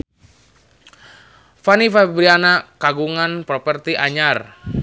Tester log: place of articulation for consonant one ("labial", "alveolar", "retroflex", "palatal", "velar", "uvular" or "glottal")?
labial